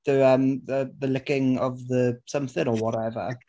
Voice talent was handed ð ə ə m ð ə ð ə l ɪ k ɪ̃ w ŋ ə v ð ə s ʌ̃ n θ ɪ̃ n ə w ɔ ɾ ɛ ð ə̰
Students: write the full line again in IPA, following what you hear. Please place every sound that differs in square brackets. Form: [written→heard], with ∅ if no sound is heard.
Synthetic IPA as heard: ð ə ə m ð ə ð ə l ɪ k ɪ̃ [w→∅] ŋ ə v ð ə s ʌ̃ [n→m] θ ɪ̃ [n→ŋ] ə w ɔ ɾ ɛ [ð→v] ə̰